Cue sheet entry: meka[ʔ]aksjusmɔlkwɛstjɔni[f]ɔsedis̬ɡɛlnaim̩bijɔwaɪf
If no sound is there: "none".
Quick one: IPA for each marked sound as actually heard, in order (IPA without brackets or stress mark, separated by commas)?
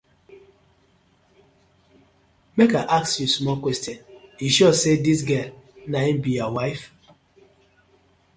ʔ, ʃ